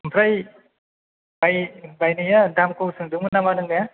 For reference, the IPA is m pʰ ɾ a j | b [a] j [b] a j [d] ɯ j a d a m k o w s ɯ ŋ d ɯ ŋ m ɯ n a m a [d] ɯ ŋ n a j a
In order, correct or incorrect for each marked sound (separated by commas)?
correct, correct, incorrect, incorrect